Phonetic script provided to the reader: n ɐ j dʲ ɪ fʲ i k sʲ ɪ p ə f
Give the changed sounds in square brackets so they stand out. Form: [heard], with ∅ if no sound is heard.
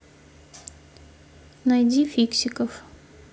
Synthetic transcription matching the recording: n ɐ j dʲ [i] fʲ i k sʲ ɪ [k] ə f